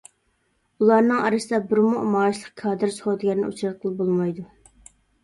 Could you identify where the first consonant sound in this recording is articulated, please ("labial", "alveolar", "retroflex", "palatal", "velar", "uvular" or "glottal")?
alveolar